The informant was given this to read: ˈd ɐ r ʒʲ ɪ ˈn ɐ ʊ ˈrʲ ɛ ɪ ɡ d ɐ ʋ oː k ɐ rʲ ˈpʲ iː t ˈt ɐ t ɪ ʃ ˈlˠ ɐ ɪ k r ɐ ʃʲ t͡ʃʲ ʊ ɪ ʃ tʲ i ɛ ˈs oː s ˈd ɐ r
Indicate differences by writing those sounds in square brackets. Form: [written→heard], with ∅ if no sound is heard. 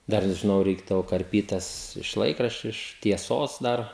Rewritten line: ˈd ɐ r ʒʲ ɪ ˈn ɐ ʊ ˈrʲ ɛ ɪ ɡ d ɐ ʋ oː k ɐ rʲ ˈpʲ iː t ˈt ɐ [t→s] ɪ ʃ ˈlˠ ɐ ɪ k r ɐ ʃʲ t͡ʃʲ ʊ ɪ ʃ tʲ i ɛ ˈs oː s ˈd ɐ r